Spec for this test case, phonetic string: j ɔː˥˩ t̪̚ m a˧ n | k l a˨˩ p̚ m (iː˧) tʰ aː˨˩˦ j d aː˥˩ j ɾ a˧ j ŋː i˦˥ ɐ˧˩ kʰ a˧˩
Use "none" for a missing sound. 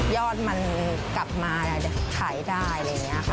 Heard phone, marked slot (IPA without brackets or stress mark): aː˧